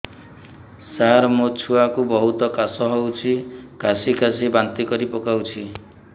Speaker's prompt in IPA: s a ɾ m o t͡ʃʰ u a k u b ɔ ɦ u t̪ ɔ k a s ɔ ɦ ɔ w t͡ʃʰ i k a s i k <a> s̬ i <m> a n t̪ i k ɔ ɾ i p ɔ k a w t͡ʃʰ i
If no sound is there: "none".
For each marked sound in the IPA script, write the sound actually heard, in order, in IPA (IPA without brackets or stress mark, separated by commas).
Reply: a, b